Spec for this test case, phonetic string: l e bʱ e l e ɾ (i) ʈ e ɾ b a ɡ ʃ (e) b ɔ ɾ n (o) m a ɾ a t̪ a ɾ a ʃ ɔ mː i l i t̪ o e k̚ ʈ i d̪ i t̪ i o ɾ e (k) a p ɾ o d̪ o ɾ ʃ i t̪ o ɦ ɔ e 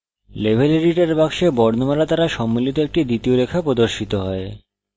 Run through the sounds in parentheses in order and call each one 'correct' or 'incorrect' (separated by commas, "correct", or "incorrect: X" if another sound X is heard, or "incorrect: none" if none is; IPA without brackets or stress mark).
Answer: correct, correct, correct, incorrect: kʰ